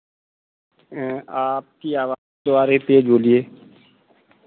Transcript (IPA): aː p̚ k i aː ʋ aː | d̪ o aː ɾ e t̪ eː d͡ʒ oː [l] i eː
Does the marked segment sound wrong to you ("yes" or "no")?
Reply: no